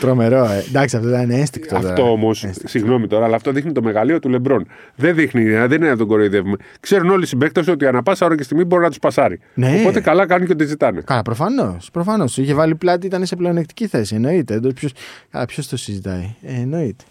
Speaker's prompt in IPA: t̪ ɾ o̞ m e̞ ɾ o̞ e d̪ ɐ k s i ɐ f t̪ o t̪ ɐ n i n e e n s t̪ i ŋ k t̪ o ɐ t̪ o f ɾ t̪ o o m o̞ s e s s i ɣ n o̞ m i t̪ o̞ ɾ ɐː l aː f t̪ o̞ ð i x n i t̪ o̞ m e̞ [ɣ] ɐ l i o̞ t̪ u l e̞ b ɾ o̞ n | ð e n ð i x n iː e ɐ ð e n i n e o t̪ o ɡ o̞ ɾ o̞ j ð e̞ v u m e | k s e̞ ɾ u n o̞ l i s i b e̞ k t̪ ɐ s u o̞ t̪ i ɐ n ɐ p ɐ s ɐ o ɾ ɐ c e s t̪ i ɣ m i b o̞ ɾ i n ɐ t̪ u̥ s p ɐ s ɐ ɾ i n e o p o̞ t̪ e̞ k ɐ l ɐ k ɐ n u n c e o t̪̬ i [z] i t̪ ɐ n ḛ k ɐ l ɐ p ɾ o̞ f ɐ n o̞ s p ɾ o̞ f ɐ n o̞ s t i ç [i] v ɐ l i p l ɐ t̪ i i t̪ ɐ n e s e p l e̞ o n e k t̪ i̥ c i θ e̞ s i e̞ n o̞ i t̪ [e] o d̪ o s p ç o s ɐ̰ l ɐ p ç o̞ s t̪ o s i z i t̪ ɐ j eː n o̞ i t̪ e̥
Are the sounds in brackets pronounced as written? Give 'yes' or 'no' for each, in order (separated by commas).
yes, yes, no, yes